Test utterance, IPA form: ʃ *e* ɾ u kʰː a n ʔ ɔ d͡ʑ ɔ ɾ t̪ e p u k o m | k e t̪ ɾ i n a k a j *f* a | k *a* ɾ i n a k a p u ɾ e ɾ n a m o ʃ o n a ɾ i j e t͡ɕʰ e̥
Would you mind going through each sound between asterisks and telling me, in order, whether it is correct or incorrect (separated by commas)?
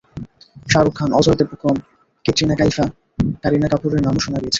incorrect, correct, correct